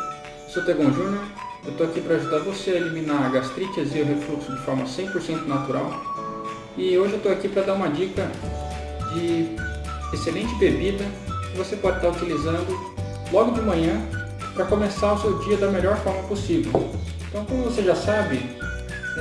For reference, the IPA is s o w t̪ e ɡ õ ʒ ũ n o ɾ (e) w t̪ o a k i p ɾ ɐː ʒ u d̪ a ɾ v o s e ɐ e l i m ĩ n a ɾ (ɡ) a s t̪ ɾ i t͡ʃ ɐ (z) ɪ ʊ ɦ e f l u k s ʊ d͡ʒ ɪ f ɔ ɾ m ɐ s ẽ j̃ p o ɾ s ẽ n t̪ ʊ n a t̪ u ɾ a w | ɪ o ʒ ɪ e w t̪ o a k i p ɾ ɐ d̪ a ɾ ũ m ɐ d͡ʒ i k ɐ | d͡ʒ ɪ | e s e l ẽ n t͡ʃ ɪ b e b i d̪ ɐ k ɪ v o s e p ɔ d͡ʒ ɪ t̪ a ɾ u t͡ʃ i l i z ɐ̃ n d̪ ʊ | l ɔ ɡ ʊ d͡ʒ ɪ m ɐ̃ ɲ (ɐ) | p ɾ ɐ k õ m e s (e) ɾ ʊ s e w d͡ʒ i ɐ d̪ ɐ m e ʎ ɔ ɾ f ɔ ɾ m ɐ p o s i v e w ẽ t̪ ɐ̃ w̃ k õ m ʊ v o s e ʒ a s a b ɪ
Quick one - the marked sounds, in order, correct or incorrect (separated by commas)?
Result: correct, correct, correct, incorrect, incorrect